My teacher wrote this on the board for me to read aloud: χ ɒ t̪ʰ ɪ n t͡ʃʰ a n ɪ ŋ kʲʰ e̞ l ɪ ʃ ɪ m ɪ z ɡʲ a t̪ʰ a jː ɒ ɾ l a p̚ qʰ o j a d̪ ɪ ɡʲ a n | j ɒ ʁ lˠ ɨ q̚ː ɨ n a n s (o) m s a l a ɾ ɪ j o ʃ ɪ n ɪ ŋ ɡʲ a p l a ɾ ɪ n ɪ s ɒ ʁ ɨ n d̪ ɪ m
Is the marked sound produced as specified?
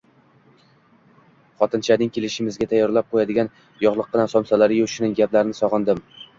no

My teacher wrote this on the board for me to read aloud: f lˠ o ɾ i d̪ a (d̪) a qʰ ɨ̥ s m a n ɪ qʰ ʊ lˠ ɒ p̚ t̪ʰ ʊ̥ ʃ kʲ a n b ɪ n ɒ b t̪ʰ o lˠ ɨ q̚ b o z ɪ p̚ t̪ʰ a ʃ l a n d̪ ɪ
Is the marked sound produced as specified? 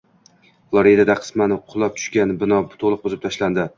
yes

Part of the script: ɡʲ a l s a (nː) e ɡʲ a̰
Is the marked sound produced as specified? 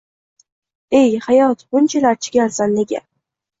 yes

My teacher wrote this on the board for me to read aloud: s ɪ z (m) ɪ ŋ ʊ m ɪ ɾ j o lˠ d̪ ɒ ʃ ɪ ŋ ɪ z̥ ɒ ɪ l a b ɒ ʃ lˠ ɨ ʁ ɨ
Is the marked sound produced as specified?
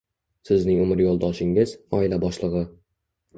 no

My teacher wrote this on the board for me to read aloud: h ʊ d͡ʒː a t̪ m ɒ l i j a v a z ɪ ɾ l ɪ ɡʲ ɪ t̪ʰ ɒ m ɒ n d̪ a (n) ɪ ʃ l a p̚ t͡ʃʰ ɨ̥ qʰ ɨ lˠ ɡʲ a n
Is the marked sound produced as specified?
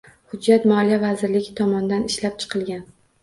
yes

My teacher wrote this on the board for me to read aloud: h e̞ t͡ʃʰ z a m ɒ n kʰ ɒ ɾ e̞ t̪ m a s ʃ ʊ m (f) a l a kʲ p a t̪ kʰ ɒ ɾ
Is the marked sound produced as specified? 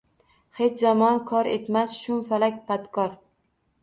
yes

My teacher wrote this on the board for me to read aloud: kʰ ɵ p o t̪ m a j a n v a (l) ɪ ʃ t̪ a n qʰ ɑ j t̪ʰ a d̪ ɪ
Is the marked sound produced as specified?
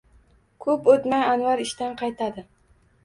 no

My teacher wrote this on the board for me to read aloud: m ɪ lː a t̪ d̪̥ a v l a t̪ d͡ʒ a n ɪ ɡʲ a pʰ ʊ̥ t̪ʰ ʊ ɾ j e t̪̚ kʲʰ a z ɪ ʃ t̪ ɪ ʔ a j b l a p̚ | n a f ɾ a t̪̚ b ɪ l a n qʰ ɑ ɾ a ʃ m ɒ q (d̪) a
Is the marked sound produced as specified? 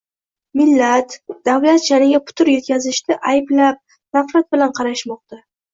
no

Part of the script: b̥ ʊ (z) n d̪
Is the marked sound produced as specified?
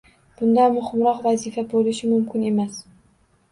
no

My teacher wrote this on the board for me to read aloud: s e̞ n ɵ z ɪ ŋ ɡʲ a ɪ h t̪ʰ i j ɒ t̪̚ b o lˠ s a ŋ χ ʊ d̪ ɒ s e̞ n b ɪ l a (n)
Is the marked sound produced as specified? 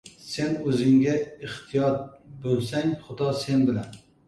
yes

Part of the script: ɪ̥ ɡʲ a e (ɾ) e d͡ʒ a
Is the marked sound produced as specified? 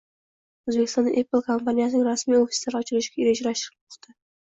yes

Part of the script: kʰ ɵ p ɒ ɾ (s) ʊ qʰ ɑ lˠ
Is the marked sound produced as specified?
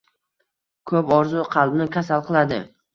no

